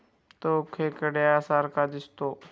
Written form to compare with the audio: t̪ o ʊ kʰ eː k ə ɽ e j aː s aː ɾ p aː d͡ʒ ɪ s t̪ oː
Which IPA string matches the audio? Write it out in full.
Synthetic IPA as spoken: t̪ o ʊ kʰ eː k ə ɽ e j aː s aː ɾ k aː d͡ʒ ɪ s t̪ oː